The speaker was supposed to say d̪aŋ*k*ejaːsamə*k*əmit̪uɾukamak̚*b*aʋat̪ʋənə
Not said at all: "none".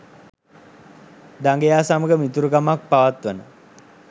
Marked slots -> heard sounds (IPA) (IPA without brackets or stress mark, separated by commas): ɡ, ɡ, p